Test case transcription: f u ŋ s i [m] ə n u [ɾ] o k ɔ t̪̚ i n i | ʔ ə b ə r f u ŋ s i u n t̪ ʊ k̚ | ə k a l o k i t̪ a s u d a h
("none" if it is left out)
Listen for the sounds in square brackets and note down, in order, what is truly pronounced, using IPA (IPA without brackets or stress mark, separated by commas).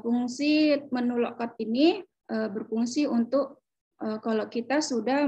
m, l